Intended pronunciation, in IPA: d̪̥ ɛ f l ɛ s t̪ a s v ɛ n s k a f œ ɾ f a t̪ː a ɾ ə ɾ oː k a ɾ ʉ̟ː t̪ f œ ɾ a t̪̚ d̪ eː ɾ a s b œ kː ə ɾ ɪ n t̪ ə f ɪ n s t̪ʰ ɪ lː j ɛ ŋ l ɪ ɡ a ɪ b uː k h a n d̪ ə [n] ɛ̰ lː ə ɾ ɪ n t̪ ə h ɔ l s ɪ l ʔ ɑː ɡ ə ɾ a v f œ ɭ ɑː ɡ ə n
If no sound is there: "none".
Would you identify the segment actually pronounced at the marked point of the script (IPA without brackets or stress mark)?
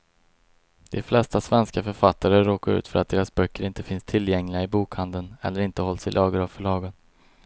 n